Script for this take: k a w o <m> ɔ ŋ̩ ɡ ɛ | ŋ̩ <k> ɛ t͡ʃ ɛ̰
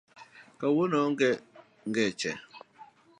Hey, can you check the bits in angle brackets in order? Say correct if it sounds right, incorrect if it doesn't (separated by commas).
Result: incorrect, incorrect